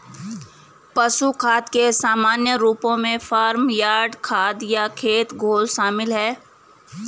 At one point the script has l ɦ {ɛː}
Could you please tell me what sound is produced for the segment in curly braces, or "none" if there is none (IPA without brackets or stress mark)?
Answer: ɛː